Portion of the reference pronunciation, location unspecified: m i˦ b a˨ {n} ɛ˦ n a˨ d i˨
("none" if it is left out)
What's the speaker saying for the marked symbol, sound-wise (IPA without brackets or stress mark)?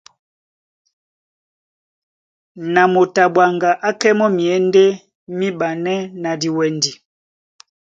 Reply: n